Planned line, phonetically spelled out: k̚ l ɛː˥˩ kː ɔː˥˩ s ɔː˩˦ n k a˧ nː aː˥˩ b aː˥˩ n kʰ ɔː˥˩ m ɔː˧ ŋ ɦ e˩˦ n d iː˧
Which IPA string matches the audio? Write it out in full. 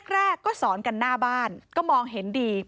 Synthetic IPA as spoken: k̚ ɾ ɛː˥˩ kː ɔː˥˩ s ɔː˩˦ n k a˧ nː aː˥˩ b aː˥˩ n k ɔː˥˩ m ɔː˧ ŋ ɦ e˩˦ n d iː˧